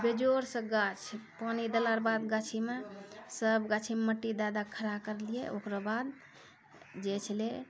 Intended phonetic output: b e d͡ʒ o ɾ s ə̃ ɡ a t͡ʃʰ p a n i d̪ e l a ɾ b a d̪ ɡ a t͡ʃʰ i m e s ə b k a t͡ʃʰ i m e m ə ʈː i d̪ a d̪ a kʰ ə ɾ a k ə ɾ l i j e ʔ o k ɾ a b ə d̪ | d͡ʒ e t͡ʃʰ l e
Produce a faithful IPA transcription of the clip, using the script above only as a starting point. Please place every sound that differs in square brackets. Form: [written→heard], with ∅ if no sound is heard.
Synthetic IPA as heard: b e d͡ʒ o ɾ s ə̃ ɡ a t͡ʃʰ p a n i d̪ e l a ɾ b a d̪ ɡ a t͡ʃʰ i m e s ə b [k→ɡ] a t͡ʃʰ i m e m ə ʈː i d̪ a d̪ a kʰ ə ɾ a k ə ɾ l i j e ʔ o k ɾ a b [ə→a] d̪ | d͡ʒ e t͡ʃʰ l e